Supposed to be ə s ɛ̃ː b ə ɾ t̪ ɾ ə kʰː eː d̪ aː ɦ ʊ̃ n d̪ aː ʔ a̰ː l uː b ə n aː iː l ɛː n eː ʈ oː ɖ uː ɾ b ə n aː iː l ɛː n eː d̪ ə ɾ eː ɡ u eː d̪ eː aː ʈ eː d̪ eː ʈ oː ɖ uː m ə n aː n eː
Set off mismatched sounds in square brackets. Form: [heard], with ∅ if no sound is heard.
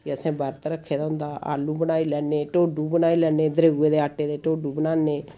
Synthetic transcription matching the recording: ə s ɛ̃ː b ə ɾ t̪ ɾ ə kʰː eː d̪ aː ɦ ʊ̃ n d̪ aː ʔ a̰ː l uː b ə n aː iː l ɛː n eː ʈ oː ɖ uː [∅] b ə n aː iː l ɛː n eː d̪ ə ɾ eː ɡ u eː d̪ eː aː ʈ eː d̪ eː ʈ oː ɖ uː [b] ə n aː n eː